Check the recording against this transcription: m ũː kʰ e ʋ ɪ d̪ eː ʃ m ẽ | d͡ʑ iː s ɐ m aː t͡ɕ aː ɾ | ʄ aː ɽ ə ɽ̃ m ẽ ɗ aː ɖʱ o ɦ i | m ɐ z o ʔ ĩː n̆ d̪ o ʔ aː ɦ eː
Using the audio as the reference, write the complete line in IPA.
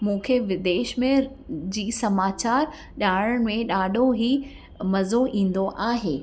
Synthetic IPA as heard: m ũː kʰ e ʋ ɪ d̪ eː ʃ m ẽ | d͡ʑ iː s ɐ m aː t͡ɕ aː ɾ | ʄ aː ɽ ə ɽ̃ m ẽ ɗ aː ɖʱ o ɦ i | m ɐ z o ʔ ĩː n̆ d̪ o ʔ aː ɦ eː